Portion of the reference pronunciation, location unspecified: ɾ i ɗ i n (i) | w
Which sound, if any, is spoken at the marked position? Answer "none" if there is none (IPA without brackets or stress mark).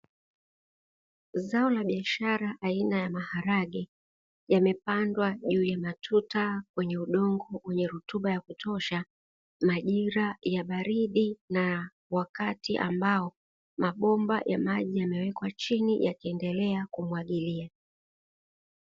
a